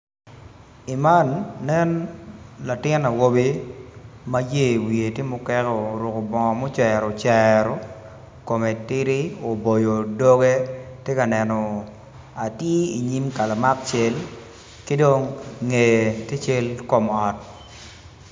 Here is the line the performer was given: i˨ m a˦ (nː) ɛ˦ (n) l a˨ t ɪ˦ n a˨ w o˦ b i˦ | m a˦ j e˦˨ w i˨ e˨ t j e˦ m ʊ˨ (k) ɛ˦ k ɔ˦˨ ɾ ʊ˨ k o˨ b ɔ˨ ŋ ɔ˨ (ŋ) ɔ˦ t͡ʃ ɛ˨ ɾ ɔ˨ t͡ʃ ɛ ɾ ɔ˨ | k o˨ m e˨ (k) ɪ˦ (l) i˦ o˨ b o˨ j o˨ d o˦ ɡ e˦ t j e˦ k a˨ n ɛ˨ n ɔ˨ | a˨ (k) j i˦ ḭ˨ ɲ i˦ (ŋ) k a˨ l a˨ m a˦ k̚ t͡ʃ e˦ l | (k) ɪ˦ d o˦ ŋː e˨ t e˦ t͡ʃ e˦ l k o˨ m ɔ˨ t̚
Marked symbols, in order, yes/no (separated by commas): yes, yes, yes, no, no, no, no, no, yes